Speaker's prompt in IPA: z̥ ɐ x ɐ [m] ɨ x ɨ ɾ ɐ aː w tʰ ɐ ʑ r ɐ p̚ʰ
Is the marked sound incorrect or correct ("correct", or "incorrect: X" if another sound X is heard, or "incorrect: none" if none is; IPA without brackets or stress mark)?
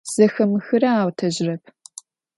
correct